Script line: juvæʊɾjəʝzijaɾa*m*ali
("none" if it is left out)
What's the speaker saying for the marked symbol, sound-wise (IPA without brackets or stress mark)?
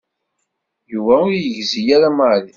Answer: m